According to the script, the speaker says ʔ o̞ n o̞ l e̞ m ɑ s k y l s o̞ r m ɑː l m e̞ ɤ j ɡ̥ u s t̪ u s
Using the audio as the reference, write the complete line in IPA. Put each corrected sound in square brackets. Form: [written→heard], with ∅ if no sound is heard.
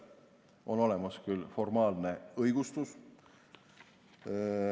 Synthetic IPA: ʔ o̞ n o̞ l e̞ m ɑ s k y l [s→f] o̞ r m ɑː l [m→n] e̞ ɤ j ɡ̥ u s t̪ u s